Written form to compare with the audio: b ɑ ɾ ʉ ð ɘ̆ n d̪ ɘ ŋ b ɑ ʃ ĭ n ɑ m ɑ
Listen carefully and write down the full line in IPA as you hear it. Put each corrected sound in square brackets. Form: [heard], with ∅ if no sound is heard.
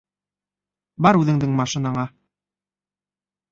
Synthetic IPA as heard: b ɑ ɾ ʉ ð ɘ̆ [ŋ] d̪ ɘ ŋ [m] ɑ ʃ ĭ n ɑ [ɴ] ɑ